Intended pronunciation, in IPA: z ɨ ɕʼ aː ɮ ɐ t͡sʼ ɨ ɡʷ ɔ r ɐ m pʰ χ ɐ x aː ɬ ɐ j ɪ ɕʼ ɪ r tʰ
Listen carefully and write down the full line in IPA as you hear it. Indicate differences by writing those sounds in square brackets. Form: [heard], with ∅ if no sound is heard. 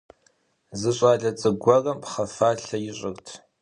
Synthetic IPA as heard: z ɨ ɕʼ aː ɮ ɐ t͡sʼ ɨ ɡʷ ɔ r ɐ m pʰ χ ɐ [f] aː ɬ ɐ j ɪ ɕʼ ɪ r tʰ